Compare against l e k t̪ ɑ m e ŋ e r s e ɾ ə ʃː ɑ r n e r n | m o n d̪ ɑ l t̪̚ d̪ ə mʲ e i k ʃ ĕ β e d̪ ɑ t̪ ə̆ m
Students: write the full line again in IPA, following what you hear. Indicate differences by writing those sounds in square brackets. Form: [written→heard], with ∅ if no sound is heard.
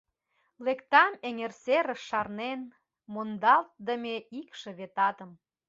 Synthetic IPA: l e k t̪ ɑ m e ŋ e r s e ɾ ə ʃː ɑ r n e [r→∅] n | m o n d̪ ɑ l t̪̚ d̪ ə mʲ e i k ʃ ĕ β e [d̪→t̪] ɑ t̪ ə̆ m